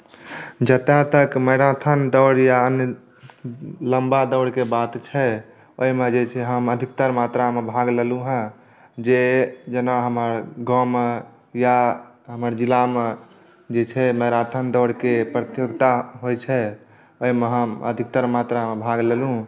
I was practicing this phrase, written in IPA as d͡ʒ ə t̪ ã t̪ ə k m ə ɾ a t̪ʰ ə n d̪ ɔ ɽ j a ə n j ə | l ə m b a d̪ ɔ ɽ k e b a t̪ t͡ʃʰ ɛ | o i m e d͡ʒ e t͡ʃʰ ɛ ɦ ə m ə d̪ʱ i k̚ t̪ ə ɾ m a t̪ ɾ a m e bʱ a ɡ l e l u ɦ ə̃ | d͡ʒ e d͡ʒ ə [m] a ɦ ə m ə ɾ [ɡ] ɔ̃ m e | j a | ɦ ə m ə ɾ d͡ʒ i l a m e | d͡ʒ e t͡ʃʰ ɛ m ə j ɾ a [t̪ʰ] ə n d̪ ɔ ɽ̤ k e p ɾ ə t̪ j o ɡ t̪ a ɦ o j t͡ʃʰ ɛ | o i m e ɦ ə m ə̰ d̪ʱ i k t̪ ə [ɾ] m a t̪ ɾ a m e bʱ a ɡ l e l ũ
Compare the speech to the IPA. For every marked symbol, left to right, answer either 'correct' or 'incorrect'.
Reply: incorrect, correct, correct, correct

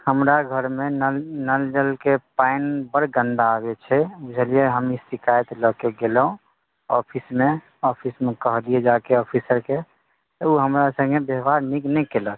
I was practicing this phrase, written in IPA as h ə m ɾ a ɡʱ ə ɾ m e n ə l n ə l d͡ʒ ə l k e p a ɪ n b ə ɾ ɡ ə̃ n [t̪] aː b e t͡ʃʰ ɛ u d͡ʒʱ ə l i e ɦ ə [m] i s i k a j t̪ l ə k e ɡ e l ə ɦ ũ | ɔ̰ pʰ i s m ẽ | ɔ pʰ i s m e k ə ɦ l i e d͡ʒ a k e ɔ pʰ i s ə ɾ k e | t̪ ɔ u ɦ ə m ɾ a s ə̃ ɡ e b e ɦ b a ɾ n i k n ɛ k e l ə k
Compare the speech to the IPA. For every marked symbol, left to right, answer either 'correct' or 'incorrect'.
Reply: incorrect, correct

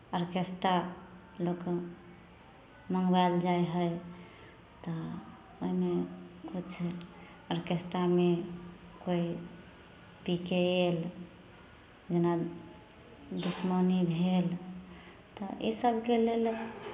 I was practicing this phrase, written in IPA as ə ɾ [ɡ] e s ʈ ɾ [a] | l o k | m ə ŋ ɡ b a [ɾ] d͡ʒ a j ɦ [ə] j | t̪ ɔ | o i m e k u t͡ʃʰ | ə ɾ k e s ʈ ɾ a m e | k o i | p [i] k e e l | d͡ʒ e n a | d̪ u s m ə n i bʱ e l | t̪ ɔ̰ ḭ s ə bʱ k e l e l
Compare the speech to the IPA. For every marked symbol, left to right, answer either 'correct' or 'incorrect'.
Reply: incorrect, correct, incorrect, correct, correct

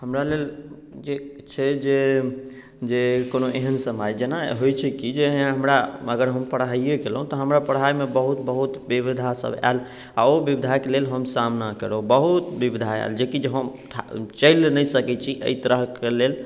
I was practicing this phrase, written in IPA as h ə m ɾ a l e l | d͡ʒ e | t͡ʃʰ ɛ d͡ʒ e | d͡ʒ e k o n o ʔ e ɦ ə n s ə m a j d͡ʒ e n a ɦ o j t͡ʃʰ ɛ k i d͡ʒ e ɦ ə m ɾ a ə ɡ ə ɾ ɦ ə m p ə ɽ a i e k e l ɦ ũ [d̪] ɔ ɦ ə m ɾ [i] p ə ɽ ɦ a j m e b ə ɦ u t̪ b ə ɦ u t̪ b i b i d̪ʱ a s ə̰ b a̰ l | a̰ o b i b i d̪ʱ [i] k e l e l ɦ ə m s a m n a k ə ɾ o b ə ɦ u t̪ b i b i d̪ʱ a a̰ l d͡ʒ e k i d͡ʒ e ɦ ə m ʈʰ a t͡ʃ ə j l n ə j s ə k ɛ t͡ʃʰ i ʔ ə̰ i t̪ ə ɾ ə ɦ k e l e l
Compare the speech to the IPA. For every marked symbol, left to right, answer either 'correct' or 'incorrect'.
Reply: incorrect, incorrect, incorrect

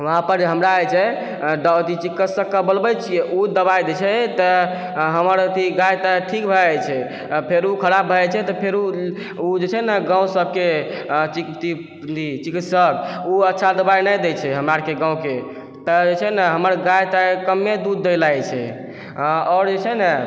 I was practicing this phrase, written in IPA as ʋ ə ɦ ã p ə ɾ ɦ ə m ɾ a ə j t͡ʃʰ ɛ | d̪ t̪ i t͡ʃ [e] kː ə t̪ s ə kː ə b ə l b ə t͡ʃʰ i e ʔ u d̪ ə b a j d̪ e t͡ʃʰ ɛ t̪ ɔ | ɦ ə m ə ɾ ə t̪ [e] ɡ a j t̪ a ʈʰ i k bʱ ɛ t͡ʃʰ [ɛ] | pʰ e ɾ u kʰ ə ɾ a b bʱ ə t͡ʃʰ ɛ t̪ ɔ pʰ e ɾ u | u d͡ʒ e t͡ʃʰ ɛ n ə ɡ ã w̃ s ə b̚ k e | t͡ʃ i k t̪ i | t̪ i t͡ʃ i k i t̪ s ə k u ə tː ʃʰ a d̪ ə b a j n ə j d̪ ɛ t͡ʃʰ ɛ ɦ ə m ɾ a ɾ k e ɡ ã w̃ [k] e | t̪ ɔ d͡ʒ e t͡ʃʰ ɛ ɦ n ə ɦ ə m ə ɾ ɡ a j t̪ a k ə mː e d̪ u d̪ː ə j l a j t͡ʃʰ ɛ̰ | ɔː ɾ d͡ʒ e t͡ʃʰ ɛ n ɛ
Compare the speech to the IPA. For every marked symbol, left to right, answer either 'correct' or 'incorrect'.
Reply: incorrect, incorrect, correct, correct

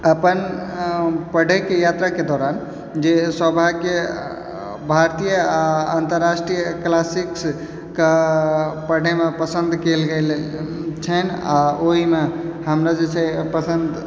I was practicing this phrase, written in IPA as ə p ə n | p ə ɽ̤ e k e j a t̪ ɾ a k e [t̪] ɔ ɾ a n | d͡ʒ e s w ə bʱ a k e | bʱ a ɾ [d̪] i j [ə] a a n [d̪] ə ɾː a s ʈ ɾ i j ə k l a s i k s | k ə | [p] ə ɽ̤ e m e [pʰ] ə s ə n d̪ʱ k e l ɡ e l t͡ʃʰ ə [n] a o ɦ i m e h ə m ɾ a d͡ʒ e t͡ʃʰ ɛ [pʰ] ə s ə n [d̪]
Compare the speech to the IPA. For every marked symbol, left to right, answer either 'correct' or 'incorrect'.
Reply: incorrect, incorrect, correct, incorrect, correct, incorrect, correct, incorrect, correct

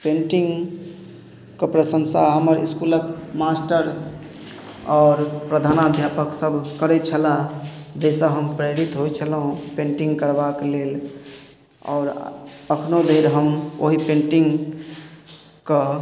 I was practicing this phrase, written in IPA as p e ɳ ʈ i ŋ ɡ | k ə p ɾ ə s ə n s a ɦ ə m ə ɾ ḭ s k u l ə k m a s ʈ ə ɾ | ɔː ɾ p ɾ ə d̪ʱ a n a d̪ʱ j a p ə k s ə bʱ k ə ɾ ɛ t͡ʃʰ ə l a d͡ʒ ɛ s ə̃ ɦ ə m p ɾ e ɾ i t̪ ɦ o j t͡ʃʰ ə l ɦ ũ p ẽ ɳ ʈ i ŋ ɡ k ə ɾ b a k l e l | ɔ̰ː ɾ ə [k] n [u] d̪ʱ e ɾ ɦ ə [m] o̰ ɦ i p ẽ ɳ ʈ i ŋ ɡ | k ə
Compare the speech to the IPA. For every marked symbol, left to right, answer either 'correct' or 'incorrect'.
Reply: incorrect, incorrect, correct

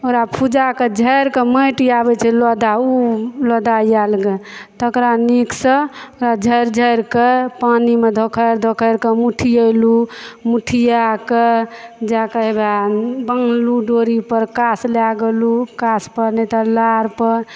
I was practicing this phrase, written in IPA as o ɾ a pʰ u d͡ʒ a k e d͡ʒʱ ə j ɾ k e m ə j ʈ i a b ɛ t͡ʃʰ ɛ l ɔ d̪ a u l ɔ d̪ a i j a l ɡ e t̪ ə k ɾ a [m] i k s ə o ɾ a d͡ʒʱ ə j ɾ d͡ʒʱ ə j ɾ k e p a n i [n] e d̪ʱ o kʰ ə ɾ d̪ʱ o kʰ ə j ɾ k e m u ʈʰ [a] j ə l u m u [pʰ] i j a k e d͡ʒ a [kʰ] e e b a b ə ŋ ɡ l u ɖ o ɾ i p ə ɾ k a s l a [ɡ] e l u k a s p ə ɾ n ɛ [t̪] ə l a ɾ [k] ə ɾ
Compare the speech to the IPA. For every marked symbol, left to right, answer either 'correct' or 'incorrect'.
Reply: incorrect, incorrect, incorrect, incorrect, incorrect, correct, correct, incorrect

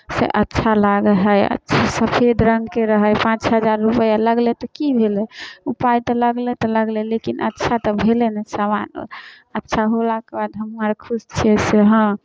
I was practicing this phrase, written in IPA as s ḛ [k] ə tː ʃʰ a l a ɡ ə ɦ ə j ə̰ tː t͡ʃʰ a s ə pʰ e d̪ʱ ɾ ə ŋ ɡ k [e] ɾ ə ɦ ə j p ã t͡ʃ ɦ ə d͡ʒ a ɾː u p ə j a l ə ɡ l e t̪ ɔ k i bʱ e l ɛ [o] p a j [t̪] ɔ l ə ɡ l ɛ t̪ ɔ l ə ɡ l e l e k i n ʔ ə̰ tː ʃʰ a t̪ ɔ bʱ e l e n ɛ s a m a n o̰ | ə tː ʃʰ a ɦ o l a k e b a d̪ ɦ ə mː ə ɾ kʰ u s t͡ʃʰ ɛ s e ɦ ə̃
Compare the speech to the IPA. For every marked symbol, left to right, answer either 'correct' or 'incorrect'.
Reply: incorrect, correct, incorrect, correct

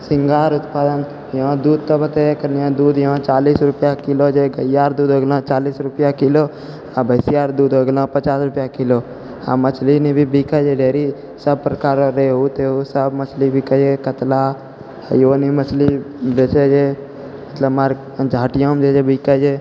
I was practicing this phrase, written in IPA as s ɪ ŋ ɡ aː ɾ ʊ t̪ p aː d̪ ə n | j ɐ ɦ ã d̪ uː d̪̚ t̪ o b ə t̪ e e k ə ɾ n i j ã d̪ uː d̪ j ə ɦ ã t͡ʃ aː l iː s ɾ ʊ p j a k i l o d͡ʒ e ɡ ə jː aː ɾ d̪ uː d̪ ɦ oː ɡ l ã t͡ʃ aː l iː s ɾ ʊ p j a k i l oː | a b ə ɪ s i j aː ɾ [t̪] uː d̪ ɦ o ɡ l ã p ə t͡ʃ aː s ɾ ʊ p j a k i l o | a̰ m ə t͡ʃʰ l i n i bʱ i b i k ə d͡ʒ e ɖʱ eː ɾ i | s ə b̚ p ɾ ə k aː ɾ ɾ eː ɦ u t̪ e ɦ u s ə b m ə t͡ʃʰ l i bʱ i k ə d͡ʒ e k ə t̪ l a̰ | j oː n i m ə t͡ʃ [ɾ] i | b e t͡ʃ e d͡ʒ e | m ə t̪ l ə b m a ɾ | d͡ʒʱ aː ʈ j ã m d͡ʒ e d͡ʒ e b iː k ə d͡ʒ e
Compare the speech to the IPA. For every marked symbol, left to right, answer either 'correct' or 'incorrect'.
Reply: incorrect, incorrect

